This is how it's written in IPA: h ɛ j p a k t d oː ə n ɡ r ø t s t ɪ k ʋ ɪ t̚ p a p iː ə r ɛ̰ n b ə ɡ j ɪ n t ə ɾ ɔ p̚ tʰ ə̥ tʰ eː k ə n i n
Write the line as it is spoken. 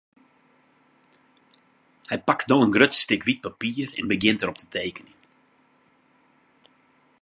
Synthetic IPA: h ɛ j p a k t d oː ə n ɡ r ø t s t ɪ k ʋ i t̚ p a p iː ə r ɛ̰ n b ə ɡ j ɪ n t ə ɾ ɔ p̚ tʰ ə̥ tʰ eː k ə n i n